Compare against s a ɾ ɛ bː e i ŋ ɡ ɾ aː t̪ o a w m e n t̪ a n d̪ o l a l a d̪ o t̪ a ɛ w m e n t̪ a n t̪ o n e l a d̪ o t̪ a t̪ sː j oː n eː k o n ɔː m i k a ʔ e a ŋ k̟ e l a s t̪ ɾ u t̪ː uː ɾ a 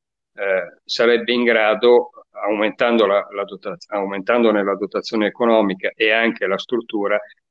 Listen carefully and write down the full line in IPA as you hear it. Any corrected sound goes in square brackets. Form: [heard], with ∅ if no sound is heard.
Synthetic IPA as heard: s a ɾ ɛ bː e i ŋ ɡ ɾ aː [d̪] o a w m e n t̪ a n d̪ o l a l a d̪ o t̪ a [a] w m e n t̪ a n [d̪] o n e l a d̪ o t̪ a t̪ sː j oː n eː k o n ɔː m i k a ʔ e a ŋ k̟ e l a s t̪ ɾ u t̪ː uː ɾ a